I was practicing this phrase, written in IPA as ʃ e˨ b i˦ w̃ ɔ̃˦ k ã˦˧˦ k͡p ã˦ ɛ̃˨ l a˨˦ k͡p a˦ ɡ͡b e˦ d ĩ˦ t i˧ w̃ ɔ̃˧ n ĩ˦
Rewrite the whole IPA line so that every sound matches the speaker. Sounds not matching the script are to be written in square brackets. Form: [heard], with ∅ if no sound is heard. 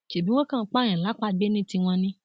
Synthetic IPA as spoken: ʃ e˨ b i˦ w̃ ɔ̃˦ k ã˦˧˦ k͡p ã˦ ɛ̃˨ l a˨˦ k͡p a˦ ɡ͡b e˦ [n] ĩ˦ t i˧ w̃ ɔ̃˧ n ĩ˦